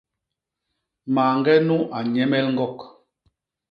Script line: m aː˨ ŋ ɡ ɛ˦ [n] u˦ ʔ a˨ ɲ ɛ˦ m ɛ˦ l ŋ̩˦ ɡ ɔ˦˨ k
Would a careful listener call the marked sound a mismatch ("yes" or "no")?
no